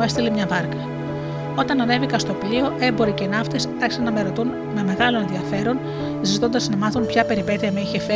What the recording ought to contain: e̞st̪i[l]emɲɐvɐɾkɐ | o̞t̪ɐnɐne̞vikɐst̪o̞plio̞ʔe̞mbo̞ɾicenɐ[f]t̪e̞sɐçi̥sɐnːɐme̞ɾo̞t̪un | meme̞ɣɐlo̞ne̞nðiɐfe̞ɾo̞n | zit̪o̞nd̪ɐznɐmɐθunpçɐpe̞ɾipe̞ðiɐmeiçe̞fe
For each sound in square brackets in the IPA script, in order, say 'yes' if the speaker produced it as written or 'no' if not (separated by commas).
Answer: yes, yes